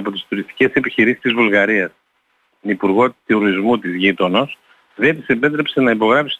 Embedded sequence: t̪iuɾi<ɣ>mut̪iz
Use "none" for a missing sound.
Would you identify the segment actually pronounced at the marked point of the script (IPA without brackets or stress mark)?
z